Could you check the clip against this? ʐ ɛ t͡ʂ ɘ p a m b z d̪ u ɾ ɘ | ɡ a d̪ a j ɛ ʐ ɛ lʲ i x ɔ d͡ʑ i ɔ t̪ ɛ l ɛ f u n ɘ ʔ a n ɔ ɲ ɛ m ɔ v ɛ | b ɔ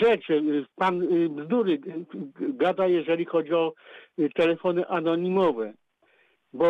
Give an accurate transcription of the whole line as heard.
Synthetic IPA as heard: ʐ ɛ t͡ʂ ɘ p a n b z d̪ u ɾ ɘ | ɡ a d̪ a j ɛ ʐ ɛ lʲ i x ɔ d͡ʑ i ɔ t̪ ɛ l ɛ f ɔ n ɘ ʔ a n ɔ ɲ i m ɔ v ɛ | b ɔ